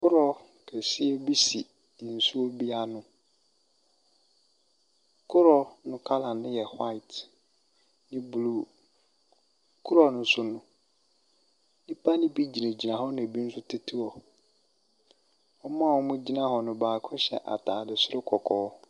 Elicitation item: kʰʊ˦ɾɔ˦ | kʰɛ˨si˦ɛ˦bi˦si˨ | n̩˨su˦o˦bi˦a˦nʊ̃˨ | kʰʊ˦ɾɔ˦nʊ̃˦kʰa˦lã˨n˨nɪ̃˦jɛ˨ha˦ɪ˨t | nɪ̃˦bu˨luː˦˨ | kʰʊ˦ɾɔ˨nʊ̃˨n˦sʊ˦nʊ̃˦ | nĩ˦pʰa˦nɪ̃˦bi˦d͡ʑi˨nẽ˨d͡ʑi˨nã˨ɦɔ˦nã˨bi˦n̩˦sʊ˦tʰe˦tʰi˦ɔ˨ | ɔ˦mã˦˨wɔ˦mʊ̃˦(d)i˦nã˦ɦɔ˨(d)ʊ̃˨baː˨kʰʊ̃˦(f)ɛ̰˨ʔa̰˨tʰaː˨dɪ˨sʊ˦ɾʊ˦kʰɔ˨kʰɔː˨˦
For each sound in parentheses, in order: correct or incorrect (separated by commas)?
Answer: incorrect, incorrect, incorrect